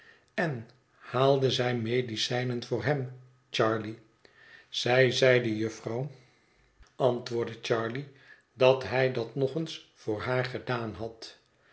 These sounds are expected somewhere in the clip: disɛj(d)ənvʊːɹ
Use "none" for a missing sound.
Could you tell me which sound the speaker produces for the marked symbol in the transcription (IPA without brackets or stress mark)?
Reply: n